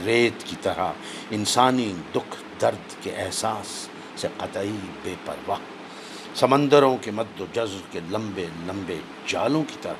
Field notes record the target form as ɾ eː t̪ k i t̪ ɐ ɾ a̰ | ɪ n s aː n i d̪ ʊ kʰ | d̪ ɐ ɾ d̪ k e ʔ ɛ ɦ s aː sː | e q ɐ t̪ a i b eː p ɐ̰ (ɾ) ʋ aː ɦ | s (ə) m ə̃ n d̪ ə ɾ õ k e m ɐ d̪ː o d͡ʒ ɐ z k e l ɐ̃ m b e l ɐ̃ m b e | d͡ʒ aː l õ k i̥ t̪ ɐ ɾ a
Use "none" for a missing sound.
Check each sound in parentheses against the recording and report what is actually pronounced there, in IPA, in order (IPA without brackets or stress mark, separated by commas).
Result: ɾ, ɐ